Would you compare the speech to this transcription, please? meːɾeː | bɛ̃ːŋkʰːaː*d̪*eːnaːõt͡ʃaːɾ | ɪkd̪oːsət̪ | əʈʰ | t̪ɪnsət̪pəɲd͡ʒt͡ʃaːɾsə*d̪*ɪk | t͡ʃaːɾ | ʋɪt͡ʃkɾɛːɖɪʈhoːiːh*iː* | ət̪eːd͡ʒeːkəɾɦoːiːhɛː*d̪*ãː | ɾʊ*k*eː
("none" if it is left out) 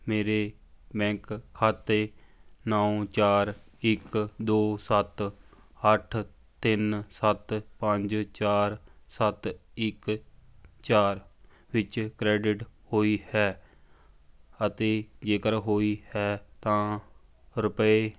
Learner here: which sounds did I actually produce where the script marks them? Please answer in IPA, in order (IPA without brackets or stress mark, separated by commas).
t̪, t̪, ɛː, t̪, p